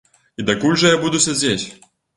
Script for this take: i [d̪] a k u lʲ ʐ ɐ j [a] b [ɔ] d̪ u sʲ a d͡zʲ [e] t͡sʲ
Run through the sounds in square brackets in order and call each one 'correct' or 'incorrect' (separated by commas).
correct, correct, incorrect, correct